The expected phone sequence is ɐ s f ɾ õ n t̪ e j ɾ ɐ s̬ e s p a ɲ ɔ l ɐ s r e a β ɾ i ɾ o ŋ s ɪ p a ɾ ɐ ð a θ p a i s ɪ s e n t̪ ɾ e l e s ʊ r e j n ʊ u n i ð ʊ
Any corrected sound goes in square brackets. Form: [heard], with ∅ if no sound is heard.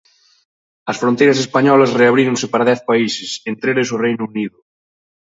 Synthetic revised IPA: ɐ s f ɾ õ n t̪ e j ɾ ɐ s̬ e s p a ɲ ɔ l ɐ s r e a β ɾ i ɾ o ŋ s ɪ p a ɾ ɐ ð [ɛ] θ p a i s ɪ s e n t̪ ɾ e l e s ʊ r e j n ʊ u n i ð ʊ